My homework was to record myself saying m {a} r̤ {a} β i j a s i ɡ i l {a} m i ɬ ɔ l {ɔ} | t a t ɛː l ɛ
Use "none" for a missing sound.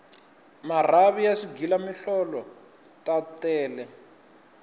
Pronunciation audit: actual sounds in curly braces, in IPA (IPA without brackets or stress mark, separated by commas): a, a, a, ɔ